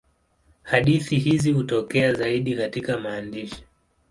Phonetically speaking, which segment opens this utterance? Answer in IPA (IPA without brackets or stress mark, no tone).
h